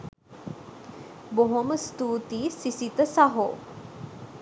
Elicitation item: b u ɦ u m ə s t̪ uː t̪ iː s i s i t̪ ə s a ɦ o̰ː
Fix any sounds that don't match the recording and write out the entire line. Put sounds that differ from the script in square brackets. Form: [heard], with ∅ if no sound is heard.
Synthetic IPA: b [o] ɦ [o] m ə s t̪ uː t̪ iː s i s i t̪ ə s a ɦ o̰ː